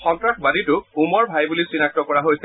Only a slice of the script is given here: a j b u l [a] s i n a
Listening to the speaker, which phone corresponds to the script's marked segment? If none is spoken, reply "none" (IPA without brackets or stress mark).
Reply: i